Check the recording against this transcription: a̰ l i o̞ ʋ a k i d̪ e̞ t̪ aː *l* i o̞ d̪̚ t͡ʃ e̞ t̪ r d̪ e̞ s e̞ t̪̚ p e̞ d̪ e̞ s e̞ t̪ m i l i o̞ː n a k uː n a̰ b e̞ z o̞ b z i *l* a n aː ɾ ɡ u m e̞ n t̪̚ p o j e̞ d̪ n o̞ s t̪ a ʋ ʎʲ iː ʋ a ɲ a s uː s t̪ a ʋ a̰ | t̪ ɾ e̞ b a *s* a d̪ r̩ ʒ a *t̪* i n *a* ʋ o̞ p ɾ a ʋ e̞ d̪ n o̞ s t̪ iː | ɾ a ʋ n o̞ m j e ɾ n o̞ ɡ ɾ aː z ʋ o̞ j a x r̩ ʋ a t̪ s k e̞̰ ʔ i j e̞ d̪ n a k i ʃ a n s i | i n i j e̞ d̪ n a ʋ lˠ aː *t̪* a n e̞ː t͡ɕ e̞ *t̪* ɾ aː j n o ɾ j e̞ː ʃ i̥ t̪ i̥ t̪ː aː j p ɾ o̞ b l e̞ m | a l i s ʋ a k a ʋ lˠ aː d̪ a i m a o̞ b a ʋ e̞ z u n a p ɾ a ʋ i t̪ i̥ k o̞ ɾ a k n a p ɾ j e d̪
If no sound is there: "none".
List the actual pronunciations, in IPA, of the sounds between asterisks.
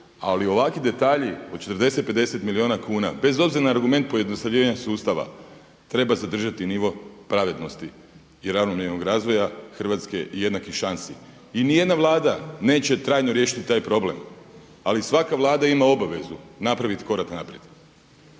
ʎ, ɾ, z, t̪, i, d̪, t̪

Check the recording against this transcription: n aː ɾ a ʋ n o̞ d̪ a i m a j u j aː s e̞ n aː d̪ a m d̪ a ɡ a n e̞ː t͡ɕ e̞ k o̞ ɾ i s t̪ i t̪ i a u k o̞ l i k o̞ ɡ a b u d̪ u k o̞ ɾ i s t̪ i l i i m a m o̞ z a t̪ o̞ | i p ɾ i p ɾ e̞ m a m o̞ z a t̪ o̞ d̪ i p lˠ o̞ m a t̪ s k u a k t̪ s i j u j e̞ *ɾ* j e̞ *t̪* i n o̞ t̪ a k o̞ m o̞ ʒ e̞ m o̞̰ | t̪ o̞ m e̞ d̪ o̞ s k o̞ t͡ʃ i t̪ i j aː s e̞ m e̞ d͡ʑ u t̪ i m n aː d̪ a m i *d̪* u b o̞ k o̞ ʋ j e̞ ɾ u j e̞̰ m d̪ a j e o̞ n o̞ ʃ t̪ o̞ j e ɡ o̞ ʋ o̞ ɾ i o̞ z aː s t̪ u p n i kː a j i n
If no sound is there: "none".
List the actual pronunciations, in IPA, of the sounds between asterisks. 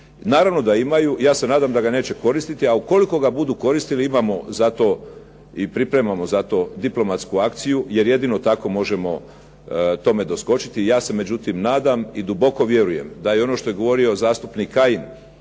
ɾ, d̪, d̪

